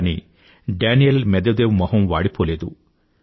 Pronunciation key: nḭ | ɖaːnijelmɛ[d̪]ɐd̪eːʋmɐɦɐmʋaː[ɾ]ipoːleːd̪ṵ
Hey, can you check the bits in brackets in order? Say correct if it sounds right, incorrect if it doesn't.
correct, incorrect

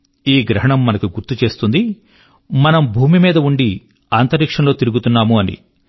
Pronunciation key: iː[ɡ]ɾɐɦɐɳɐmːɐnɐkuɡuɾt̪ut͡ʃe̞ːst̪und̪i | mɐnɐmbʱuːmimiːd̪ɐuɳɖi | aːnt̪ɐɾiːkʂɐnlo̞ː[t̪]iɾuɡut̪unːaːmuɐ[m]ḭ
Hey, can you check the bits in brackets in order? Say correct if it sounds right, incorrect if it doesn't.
correct, correct, incorrect

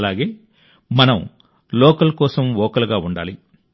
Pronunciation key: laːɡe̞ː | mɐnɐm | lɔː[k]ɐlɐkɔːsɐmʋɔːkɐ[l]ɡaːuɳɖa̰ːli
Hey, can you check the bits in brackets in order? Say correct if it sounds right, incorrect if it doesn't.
correct, correct

